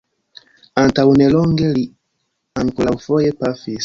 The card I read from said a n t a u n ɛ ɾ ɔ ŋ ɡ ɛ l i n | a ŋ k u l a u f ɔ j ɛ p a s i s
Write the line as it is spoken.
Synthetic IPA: a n t a u n ɛ l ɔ ŋ ɡ ɛ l i | a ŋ k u l a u f ɔ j ɛ p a f i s